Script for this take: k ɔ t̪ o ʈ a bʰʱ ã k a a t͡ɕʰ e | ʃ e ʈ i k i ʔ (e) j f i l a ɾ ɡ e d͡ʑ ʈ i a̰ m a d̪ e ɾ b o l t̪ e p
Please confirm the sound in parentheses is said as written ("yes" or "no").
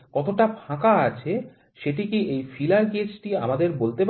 yes